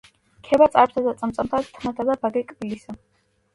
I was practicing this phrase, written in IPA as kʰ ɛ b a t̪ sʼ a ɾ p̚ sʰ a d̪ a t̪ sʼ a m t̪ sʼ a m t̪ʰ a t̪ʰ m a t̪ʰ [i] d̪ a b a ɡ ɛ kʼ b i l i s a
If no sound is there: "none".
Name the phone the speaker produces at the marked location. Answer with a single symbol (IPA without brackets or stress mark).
a